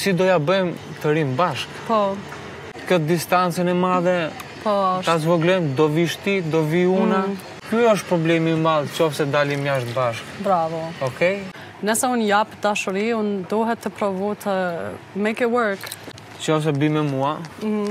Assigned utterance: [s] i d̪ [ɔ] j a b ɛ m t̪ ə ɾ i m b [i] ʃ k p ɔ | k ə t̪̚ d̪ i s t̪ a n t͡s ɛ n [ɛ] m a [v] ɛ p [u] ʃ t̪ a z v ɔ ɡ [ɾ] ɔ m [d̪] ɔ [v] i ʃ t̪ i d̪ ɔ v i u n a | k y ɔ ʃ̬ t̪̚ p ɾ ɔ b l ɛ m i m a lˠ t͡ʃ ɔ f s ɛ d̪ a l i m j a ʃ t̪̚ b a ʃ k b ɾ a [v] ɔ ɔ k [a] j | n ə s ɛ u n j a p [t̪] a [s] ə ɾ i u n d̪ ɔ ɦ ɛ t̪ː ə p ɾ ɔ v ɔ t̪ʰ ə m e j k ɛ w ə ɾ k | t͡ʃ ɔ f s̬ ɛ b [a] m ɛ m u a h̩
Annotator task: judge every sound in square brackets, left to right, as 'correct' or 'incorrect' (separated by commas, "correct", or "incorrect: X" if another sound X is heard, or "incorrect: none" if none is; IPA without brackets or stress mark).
correct, correct, incorrect: a, correct, incorrect: ð, incorrect: ɔ, incorrect: l, correct, correct, correct, incorrect: ɛ, incorrect: d̪, incorrect: ʃ, incorrect: i